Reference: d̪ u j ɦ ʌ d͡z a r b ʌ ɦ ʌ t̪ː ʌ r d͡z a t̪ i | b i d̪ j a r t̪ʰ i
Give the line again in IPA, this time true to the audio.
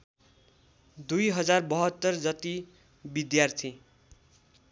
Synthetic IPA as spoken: d̪ u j ɦ ʌ d͡z a r b ʌ ɦ ʌ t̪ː ʌ r d͡z ʌ t̪ i | b i d̪ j a r t̪ʰ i